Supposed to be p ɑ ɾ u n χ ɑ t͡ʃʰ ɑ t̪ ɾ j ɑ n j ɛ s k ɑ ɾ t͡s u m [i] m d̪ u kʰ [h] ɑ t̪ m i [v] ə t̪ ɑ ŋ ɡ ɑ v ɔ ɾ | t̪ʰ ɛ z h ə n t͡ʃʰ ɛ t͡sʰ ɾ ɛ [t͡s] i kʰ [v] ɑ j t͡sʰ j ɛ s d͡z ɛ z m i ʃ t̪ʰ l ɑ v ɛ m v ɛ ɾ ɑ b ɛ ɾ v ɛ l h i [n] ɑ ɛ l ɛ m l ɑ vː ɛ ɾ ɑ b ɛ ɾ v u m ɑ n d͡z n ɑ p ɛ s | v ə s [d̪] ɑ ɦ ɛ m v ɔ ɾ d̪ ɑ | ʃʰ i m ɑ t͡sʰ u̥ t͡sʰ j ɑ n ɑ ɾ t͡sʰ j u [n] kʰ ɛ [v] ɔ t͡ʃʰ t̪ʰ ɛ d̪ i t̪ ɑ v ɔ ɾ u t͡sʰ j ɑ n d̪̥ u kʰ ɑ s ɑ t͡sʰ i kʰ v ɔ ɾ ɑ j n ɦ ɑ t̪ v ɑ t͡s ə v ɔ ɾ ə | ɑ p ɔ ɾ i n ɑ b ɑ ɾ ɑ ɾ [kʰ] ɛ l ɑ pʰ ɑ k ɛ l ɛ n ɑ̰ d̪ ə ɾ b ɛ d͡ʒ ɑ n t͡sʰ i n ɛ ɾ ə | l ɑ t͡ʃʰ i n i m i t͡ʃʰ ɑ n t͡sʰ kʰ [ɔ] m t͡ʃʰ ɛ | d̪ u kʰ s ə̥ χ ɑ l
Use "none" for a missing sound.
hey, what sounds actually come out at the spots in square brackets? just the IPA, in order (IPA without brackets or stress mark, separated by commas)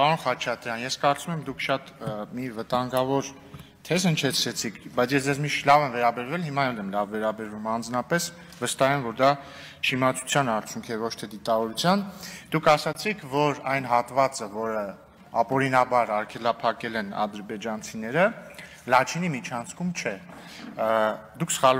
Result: ɛ, ʃ, v, t͡sʰ, b, m, t̪, ŋ, v, kʰ, u